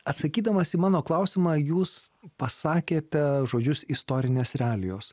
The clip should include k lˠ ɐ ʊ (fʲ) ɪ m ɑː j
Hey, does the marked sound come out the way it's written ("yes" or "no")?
no